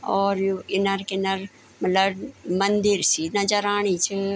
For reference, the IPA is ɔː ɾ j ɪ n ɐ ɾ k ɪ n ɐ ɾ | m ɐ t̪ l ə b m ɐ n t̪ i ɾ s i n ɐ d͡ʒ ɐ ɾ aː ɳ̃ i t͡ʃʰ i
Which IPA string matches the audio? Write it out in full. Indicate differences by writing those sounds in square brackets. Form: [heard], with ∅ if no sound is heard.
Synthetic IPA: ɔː ɾ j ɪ n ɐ ɾ k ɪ n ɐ ɾ | m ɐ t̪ l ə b m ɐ n [d̪] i ɾ s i n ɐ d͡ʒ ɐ ɾ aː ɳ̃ i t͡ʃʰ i